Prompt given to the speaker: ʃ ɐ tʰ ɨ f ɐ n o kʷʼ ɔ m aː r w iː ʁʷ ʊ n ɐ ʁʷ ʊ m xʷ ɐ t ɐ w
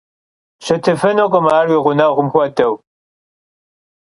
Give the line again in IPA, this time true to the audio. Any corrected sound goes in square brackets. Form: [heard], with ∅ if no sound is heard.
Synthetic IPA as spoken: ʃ ɐ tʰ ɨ f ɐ n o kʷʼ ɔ m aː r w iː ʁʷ ʊ n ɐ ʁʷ ʊ m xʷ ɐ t ɐ w